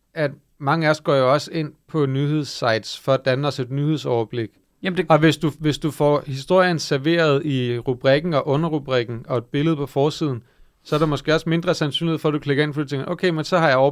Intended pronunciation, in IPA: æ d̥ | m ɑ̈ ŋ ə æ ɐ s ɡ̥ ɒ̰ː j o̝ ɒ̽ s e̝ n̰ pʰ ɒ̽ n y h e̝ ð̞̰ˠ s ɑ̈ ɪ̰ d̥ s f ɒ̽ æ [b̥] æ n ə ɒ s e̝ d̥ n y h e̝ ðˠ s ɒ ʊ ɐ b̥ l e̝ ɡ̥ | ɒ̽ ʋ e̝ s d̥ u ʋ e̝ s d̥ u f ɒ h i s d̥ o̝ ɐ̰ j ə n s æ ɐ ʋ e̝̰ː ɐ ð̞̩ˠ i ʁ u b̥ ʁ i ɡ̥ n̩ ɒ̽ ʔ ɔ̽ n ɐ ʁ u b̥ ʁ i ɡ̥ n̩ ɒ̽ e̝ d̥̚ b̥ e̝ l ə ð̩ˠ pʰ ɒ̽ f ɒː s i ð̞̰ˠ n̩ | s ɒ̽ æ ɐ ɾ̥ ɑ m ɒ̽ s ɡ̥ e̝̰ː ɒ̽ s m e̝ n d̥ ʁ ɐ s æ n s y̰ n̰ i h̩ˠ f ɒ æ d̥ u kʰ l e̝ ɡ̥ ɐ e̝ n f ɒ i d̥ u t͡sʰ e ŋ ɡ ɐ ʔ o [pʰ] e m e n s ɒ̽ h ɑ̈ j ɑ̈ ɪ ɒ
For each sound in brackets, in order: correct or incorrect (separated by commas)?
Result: incorrect, incorrect